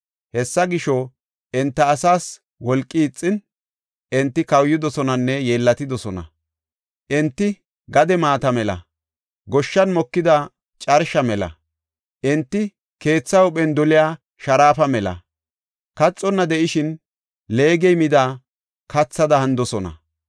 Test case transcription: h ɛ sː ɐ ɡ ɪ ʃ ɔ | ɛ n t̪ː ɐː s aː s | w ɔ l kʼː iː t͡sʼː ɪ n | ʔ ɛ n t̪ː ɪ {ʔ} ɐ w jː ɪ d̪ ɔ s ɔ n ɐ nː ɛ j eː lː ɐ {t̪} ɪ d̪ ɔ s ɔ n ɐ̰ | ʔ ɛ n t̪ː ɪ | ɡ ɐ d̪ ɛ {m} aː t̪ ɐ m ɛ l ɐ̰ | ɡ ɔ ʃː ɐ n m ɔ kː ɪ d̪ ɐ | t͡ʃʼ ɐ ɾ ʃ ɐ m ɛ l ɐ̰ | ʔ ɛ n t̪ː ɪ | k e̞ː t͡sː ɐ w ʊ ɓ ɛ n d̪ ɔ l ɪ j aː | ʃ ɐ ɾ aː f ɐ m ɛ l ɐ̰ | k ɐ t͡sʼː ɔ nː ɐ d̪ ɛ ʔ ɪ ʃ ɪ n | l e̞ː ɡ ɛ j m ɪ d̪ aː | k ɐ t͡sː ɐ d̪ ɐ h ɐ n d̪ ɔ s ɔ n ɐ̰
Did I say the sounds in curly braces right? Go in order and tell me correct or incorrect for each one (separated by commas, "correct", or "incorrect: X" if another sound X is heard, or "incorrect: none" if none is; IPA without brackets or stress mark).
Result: incorrect: k, correct, correct